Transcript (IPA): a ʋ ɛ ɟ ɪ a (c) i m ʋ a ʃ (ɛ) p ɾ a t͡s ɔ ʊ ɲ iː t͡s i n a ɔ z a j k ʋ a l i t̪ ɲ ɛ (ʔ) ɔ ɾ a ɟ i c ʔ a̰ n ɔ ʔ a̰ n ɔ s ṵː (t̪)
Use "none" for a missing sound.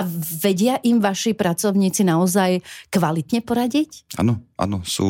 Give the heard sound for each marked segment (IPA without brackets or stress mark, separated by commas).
ʔ, i, p, none